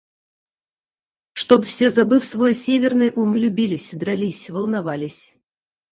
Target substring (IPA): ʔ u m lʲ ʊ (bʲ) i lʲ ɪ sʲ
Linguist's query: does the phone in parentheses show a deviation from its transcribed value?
no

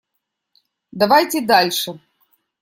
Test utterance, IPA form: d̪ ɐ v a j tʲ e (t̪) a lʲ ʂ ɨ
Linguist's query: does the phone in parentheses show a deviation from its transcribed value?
yes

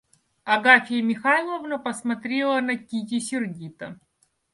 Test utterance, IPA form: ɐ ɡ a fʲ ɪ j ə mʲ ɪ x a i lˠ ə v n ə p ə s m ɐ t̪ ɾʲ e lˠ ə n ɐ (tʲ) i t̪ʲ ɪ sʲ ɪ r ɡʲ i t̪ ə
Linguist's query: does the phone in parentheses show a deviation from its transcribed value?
yes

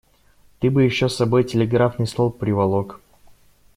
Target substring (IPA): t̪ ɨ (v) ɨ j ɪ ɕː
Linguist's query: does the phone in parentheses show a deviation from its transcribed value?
yes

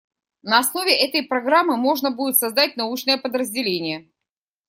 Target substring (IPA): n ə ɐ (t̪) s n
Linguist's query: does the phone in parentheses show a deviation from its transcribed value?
yes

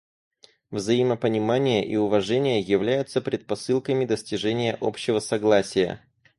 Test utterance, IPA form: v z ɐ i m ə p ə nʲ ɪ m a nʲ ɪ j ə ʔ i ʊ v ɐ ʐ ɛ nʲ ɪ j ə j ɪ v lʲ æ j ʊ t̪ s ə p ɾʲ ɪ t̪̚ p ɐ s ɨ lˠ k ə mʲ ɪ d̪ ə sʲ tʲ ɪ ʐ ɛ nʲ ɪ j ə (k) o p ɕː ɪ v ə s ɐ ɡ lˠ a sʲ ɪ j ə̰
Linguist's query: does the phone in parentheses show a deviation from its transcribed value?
yes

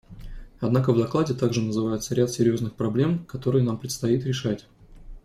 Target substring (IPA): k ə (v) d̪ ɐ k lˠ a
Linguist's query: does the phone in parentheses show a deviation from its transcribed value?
no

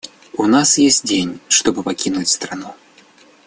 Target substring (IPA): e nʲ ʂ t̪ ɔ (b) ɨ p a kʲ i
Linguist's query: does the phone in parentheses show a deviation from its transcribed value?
no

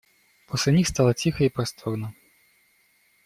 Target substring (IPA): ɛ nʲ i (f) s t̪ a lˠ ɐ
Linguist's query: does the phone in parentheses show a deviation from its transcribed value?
yes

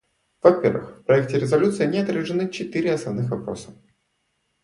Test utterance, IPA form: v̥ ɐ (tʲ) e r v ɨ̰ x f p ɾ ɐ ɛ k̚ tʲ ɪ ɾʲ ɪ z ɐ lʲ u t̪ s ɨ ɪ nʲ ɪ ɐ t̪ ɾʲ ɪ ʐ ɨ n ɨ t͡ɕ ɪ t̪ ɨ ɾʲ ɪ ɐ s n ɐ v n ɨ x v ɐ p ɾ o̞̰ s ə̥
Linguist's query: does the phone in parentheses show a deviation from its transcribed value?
yes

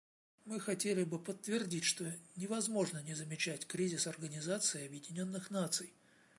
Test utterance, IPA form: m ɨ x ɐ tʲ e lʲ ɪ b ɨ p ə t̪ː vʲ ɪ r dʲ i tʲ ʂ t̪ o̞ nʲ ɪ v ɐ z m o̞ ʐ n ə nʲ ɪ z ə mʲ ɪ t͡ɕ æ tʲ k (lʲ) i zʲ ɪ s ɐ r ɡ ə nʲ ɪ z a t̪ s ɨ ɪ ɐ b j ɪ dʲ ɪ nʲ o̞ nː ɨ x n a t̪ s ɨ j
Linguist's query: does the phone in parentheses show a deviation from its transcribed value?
yes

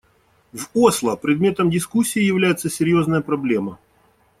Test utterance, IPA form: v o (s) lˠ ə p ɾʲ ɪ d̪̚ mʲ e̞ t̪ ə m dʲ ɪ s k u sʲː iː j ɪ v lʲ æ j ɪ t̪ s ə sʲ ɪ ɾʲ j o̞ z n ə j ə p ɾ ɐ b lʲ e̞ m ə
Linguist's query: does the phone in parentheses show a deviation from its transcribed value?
no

